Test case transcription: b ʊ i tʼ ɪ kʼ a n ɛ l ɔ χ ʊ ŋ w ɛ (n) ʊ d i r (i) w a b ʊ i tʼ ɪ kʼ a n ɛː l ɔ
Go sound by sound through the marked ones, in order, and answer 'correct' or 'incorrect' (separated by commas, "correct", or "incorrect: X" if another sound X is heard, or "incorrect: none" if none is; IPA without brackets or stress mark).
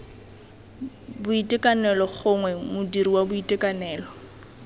incorrect: m, correct